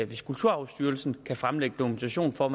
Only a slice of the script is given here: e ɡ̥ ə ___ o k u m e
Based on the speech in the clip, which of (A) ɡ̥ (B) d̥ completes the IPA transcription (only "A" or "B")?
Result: B